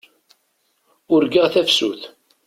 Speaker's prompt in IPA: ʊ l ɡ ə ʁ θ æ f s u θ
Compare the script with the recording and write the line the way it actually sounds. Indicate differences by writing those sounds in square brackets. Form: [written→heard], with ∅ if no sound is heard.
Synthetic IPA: ʊ [l→ɾ] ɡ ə ʁ θ æ f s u θ